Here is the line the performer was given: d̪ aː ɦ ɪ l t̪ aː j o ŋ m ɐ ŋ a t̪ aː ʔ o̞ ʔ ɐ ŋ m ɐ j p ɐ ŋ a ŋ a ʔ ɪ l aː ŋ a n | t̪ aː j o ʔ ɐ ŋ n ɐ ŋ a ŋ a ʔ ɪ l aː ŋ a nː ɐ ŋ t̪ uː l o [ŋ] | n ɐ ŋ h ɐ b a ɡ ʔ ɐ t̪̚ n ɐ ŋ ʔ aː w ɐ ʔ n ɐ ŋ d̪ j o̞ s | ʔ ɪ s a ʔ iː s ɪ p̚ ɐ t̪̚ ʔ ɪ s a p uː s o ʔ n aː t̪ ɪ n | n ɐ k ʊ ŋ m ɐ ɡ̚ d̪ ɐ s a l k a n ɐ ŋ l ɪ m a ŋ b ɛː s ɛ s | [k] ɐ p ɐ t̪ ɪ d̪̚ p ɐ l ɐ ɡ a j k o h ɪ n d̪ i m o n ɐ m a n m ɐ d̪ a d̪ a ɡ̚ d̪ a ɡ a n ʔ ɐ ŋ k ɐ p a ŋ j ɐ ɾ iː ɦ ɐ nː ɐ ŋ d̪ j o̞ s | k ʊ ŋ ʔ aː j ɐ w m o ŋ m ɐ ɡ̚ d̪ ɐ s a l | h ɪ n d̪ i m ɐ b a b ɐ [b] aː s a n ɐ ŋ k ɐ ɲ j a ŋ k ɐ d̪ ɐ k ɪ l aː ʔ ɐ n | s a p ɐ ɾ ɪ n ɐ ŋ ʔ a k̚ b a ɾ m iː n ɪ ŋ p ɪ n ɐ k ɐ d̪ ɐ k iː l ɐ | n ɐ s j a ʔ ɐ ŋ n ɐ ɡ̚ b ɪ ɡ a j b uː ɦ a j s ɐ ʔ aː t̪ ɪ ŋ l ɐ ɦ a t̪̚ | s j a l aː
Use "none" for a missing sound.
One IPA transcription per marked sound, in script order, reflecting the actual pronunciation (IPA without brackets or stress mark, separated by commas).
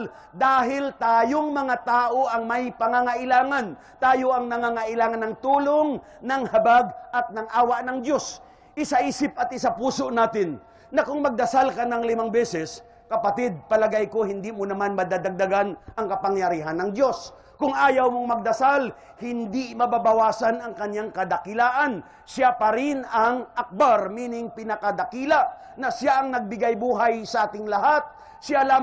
ŋ, k, w